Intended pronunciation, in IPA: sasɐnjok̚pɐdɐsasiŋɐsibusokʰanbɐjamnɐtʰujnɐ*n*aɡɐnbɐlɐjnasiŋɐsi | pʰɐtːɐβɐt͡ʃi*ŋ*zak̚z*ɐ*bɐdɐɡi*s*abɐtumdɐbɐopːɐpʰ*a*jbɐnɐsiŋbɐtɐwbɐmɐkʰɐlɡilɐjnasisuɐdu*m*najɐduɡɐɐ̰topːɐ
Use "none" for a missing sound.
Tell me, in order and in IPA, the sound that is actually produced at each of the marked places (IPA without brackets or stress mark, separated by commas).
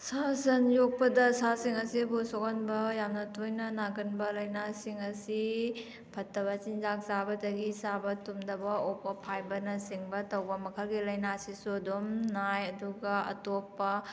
n, n, a, s, a, m